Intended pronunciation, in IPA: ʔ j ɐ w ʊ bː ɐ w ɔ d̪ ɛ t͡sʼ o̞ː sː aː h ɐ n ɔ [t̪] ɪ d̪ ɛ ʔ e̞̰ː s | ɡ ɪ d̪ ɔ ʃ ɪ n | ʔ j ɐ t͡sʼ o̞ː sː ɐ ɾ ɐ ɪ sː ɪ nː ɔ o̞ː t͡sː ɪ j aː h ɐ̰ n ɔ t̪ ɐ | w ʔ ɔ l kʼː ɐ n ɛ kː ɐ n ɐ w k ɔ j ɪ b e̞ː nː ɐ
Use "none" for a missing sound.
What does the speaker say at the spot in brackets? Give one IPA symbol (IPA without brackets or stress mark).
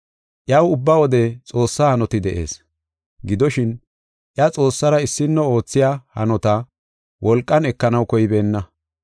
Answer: t̪